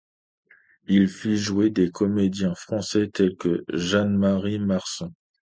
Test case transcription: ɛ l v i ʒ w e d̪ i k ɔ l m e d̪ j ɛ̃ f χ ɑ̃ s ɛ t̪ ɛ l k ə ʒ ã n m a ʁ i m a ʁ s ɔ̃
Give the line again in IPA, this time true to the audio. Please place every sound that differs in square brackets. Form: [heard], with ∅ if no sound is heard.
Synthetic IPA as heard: [i] l [f] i ʒ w e d̪ [e] k ɔ [∅] m e d̪ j ɛ̃ f χ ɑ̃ s ɛ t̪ ɛ l k ə ʒ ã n m a ʁ i m a ʁ s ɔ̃